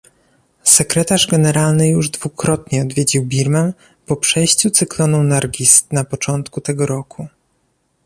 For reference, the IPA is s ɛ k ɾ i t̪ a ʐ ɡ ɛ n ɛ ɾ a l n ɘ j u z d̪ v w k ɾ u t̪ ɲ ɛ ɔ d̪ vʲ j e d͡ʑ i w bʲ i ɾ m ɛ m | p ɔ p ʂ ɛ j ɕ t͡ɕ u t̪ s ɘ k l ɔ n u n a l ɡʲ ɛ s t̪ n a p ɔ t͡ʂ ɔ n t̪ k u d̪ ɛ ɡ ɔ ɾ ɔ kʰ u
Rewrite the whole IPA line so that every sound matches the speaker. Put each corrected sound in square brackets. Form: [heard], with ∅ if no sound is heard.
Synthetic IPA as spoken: s ɛ k ɾ [ɛ] t̪ a ʐ ɡ ɛ n ɛ ɾ a l n ɘ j u [ʐ] d̪ v [u] k ɾ [ɔ] t̪ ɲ ɛ ɔ d̪ vʲ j e d͡ʑ i w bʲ i ɾ m ɛ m | p ɔ p ʂ ɛ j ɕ t͡ɕ u t̪ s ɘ k l ɔ n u n a [ɾ] ɡʲ [i] s t̪ n a p ɔ t͡ʂ ɔ n t̪ k u [t̪] ɛ ɡ ɔ ɾ ɔ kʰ u